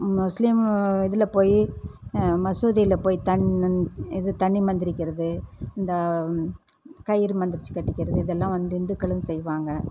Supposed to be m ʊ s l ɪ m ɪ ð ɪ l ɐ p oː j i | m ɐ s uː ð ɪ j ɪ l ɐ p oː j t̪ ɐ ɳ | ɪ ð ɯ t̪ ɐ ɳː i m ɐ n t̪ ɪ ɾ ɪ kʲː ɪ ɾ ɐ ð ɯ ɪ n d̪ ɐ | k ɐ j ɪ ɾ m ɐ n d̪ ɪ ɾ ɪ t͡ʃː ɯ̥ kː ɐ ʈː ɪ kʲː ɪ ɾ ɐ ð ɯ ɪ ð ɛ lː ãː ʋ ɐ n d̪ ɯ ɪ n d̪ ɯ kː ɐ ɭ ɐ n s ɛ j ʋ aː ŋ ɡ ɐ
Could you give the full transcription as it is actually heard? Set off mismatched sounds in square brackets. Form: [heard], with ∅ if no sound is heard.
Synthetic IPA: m ʊ s l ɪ m ɪ ð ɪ l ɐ p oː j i | m ɐ s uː ð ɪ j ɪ l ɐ p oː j t̪ ɐ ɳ | ɪ ð ɯ t̪ ɐ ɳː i m ɐ n [d̪] ɪ ɾ ɪ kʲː ɪ ɾ ɐ ð ɯ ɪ n d̪ ɐ | k ɐ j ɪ ɾ m ɐ n d̪ ɪ ɾ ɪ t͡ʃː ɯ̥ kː ɐ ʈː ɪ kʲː ɪ ɾ ɐ ð ɯ ɪ ð ɛ lː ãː ʋ ɐ n d̪ ɯ ɪ n d̪ ɯ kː ɐ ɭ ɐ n s ɛ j ʋ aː ŋ ɡ ɐ

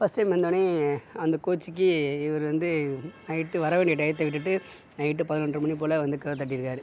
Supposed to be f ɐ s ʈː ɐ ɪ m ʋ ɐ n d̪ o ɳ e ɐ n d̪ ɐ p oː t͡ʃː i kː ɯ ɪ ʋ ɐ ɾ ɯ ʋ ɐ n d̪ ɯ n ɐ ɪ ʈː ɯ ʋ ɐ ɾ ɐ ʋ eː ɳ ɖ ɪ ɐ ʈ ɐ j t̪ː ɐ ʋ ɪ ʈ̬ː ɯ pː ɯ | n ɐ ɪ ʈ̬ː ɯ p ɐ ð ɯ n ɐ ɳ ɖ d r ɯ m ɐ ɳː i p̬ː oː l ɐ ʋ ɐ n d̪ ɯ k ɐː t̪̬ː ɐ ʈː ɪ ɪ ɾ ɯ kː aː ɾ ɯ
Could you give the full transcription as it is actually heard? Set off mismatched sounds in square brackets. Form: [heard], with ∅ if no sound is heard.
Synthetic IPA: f ɐ s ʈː ɐ ɪ m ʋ ɐ n d̪ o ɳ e ɐ n d̪ ɐ [k] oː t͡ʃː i kː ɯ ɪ ʋ ɐ ɾ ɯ ʋ ɐ n d̪ ɯ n ɐ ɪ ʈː ɯ ʋ ɐ ɾ ɐ ʋ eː ɳ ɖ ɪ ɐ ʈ ɐ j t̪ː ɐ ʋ ɪ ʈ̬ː ɯ [ʈː] ɯ | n ɐ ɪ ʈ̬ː ɯ p ɐ ð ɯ n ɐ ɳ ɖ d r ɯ m ɐ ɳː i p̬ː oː l ɐ ʋ ɐ n d̪ ɯ k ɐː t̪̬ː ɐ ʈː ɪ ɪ ɾ ɯ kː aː ɾ ɯ

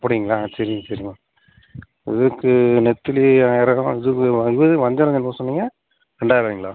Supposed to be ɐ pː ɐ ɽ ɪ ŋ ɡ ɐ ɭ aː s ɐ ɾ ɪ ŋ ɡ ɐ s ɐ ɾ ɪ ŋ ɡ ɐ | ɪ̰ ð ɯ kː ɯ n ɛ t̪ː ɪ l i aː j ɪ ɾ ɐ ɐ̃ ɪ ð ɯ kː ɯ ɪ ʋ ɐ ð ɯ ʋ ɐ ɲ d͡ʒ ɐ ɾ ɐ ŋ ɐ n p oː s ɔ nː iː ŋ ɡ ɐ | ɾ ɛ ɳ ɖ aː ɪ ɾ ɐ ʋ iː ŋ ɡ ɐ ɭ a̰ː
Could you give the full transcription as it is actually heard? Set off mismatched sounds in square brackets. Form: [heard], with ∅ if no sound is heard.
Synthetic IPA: ɐ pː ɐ ɽ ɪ ŋ ɡ ɐ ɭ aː s ɐ ɾ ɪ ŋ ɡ ɐ s ɐ ɾ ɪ ŋ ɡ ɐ | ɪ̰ ð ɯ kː ɯ n ɛ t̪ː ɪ l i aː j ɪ ɾ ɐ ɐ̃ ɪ ð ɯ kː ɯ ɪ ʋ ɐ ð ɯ ʋ ɐ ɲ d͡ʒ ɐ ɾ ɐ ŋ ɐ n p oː s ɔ nː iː ŋ ɡ ɐ | ɾ ɛ ɳ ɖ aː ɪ ɾ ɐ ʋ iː ŋ ɡ ɐ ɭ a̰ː

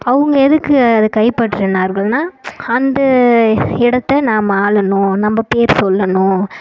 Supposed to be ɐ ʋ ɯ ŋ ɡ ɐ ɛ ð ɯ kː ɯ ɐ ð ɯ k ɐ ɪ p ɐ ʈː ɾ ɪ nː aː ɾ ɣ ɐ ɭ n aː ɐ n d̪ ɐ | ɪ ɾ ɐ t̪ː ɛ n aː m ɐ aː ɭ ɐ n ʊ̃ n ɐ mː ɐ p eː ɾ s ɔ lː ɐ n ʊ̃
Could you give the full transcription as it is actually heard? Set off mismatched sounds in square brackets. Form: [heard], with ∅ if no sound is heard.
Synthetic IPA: ɐ ʋ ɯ ŋ ɡ ɐ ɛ ð ɯ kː ɯ ɐ ð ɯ k ɐ ɪ p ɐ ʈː ɾ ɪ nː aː ɾ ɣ ɐ ɭ n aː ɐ n d̪ ɐ | ɪ [ɽ] ɐ t̪ː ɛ n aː m ɐ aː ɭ ɐ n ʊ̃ n ɐ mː ɐ p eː ɾ s ɔ lː ɐ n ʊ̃

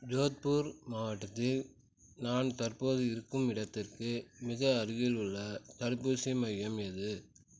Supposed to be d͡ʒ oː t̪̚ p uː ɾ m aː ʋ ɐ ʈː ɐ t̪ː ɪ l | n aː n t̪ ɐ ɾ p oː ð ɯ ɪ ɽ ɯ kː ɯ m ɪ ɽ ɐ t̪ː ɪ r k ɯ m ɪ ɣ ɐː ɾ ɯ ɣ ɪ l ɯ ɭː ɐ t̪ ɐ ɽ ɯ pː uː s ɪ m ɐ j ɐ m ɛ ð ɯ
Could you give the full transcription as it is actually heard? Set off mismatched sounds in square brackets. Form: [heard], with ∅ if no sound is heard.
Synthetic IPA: d͡ʒ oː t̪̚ p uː ɾ m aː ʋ ɐ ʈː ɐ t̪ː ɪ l | n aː n t̪ ɐ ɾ p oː ð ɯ ɪ [ɾ] ɯ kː ɯ m ɪ ɽ ɐ t̪ː ɪ r k ɯ m ɪ ɣ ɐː ɾ ɯ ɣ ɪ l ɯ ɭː ɐ t̪ ɐ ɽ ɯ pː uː s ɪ m ɐ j ɐ m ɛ ð ɯ

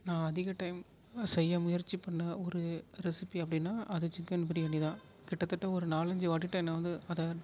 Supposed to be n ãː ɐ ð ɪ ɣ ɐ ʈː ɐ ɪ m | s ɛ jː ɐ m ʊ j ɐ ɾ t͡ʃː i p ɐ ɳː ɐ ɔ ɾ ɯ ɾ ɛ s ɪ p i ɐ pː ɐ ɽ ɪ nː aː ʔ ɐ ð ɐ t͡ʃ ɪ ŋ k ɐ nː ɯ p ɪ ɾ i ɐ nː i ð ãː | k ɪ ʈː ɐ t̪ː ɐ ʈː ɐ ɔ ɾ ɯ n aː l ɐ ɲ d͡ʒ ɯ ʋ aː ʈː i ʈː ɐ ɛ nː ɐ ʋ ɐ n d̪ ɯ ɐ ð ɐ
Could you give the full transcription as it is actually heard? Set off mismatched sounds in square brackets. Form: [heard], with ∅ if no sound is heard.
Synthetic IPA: n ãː ɐ ð ɪ ɣ ɐ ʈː ɐ ɪ m | s ɛ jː ɐ m ʊ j ɐ ɾ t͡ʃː i p ɐ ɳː ɐ ɔ ɾ ɯ ɾ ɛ s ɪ p i ɐ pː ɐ ɽ ɪ nː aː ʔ ɐ ð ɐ t͡ʃ ɪ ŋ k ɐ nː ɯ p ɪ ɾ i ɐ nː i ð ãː | k ɪ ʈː ɐ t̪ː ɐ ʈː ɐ ɔ ɾ ɯ n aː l ɐ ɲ d͡ʒ ɯ ʋ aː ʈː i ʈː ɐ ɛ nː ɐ ʋ ɐ n d̪ ɯ ɐ ð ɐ

